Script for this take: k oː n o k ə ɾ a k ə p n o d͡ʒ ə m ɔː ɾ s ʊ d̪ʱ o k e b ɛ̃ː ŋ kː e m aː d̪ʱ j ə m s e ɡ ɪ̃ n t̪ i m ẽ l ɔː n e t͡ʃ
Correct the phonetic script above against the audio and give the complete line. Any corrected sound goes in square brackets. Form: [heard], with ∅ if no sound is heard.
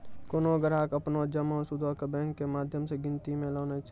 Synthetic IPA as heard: k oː n o [ɡ] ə ɾ a k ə p n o d͡ʒ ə m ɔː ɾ s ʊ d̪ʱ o k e b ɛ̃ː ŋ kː e m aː d̪ʱ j ə m s e ɡ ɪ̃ n t̪ i m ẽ l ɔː n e t͡ʃ